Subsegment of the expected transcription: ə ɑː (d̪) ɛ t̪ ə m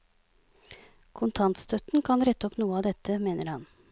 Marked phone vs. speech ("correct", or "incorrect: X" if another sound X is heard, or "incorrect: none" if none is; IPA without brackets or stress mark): correct